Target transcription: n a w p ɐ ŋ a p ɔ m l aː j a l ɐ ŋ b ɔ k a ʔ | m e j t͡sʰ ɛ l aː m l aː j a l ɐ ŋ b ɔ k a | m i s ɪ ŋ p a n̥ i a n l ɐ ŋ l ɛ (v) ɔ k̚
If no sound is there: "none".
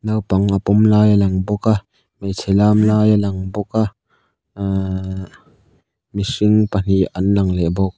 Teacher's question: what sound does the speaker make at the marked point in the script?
b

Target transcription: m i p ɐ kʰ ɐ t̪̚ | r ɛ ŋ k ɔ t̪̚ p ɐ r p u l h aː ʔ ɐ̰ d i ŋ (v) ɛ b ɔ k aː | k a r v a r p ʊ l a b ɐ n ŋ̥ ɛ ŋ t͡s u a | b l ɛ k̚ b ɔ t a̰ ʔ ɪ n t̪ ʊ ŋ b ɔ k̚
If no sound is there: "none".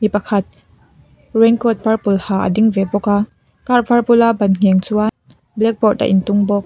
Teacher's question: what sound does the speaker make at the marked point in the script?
v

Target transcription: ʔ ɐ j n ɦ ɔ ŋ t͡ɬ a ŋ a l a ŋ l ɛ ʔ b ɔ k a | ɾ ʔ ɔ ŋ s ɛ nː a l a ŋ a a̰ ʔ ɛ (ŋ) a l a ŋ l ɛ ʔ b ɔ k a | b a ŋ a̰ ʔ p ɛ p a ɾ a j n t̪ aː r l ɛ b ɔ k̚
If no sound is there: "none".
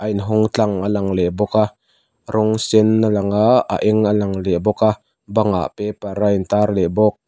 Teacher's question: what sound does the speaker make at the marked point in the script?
ŋ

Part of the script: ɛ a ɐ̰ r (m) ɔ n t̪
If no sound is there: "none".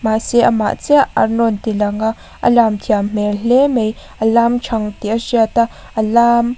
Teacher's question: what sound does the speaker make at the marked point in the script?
n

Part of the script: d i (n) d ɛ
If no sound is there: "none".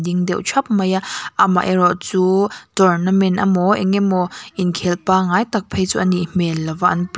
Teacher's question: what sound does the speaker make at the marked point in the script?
ŋ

